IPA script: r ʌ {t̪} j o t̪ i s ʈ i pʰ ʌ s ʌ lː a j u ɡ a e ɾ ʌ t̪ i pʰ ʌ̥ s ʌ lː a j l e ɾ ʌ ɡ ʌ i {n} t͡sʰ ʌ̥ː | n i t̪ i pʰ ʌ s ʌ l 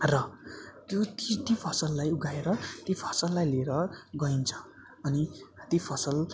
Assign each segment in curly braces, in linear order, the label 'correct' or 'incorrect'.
correct, correct

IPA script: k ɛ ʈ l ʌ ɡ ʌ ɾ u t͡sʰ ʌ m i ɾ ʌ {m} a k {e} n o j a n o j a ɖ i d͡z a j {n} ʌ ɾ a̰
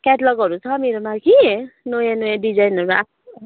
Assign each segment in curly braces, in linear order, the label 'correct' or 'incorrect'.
correct, incorrect: i, correct

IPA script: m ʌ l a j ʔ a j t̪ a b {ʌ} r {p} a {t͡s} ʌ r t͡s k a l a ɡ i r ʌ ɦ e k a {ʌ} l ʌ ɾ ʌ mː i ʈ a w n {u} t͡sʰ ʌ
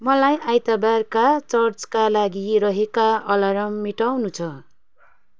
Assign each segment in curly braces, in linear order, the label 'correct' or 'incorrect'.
incorrect: a, incorrect: k, correct, correct, correct

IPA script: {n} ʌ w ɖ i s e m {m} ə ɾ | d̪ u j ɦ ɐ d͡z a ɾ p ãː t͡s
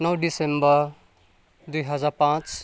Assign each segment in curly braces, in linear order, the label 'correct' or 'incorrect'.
correct, incorrect: b

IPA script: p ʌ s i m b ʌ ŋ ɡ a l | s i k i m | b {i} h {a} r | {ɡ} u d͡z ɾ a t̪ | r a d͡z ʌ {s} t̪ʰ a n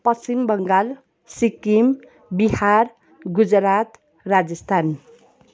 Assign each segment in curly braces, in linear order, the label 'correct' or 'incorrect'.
correct, correct, correct, correct

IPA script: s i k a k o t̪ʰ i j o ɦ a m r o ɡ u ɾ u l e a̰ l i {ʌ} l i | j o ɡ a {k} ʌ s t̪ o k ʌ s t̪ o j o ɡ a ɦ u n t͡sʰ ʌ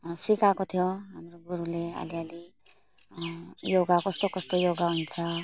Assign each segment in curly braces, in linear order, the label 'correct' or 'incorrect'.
incorrect: a, correct

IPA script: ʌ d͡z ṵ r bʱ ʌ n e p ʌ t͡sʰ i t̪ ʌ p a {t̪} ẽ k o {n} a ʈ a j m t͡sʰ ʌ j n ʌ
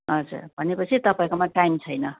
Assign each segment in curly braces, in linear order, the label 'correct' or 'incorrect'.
incorrect: none, incorrect: m

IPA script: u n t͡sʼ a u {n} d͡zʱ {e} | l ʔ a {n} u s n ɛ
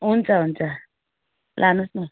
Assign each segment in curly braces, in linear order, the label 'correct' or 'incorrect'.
correct, incorrect: a, correct

